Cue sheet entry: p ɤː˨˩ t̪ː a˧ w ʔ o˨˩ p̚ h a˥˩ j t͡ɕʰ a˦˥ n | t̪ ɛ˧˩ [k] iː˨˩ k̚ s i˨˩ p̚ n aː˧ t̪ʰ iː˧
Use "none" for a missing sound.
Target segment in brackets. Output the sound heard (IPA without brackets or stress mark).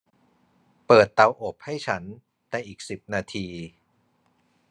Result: ʔ